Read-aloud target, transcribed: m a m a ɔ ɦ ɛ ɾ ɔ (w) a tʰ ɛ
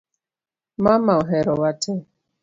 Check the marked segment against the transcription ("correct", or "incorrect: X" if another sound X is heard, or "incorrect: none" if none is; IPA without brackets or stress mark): correct